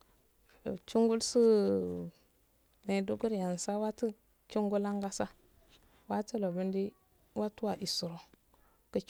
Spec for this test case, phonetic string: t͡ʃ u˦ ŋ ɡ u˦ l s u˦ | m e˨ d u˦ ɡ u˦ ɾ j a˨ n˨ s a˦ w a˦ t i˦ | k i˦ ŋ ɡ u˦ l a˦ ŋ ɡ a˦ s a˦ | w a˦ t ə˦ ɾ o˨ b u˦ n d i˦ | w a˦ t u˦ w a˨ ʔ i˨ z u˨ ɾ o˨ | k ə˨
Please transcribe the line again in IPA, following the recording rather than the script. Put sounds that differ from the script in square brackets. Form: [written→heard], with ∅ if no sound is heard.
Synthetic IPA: t͡ʃ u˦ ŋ ɡ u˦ l s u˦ | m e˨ d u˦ ɡ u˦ ɾ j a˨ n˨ s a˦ w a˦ t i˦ | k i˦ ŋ ɡ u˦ l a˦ ŋ ɡ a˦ s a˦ | w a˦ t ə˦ [ɾ→l] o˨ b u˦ n d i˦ | w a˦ t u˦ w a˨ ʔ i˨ [z→s] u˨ ɾ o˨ | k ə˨